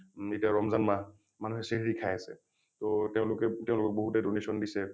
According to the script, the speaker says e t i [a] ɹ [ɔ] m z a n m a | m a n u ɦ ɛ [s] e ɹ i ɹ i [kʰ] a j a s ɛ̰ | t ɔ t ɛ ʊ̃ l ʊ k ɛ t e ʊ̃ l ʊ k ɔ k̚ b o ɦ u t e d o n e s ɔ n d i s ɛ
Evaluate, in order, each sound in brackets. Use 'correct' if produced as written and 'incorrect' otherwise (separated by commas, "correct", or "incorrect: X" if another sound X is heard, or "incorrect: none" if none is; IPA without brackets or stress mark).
correct, correct, correct, correct